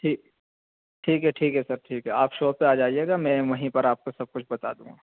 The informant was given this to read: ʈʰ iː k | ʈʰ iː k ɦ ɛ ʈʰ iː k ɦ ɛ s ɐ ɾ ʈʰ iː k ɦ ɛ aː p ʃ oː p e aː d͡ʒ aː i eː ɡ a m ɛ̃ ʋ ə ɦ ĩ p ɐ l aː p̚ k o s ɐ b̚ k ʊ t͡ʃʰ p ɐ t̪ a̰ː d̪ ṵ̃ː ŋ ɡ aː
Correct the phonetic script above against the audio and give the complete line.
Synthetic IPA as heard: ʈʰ iː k | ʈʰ iː k ɦ ɛ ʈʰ iː k ɦ ɛ s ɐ ɾ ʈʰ iː k ɦ ɛ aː p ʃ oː p e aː d͡ʒ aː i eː ɡ a m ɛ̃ ʋ ɐ ɦ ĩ p ɐ ɾ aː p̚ k o s ɐ b̚ k ʊ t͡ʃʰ b ɐ t̪ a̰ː d̪ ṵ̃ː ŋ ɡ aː